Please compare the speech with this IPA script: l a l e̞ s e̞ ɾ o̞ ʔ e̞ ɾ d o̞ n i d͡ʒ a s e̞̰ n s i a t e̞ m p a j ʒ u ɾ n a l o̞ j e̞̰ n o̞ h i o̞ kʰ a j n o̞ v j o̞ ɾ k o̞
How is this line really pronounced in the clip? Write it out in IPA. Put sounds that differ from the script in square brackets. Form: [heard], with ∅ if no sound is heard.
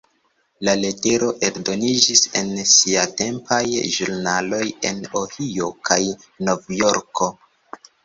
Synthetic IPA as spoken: l a l e̞ [t] e̞ ɾ o̞ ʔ e̞ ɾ d o̞ n i d͡ʒ [i] s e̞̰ n s i a t e̞ m p a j ʒ u ɾ n a l o̞ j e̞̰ n o̞ h i o̞ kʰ a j n o̞ v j o̞ ɾ k o̞